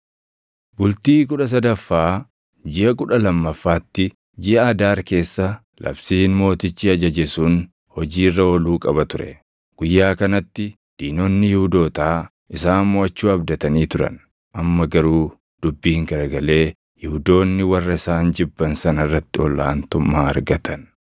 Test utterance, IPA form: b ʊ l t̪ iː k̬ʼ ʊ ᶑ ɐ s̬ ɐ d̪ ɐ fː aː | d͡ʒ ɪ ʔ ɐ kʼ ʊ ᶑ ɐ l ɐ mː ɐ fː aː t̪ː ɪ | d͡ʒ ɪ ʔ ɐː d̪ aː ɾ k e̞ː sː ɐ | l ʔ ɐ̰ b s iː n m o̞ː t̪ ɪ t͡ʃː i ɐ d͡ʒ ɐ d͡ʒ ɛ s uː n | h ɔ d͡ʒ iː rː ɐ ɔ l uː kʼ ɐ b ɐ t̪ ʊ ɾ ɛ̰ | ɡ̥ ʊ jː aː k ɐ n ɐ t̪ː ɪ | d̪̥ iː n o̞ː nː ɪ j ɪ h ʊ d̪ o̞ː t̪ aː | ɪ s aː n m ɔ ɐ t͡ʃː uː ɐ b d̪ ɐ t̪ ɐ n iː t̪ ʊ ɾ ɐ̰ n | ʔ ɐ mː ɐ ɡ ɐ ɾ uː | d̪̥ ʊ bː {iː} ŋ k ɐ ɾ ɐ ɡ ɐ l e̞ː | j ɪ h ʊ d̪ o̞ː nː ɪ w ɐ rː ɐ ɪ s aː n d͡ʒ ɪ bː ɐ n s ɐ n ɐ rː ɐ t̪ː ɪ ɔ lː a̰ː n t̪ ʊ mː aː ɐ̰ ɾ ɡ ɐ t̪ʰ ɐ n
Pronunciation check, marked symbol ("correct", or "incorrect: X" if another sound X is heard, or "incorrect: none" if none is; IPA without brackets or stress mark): correct